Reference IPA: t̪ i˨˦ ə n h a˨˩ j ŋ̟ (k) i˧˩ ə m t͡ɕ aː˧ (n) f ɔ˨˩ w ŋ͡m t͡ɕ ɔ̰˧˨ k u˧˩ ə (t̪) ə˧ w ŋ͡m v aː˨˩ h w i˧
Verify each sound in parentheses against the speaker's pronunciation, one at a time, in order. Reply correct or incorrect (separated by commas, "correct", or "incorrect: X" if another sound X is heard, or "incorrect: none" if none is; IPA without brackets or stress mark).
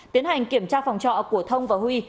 correct, incorrect: none, incorrect: t̪ʰ